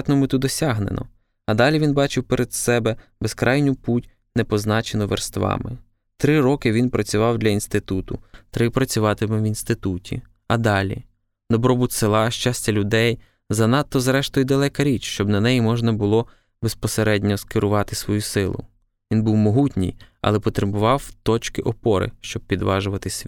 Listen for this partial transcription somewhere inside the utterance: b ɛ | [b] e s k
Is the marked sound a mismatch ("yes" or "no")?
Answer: no